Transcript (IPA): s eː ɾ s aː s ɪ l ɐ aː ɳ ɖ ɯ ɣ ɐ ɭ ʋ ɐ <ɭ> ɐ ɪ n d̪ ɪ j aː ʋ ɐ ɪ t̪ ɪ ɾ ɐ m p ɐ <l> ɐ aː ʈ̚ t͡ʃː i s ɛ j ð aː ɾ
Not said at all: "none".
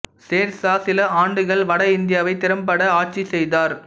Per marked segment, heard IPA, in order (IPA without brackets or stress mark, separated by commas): ɽ, ɽ